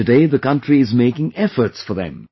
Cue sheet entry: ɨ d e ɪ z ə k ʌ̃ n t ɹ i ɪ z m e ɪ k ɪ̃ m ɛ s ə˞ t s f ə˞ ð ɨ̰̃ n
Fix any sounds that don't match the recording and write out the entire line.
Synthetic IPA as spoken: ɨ d e ɪ ð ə k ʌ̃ n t ɹ i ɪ z m e ɪ k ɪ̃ ŋ ɛ f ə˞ t s f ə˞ ð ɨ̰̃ m